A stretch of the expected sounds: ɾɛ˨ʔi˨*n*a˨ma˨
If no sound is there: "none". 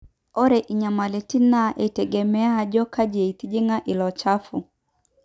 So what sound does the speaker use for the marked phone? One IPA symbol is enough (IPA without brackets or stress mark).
ɲ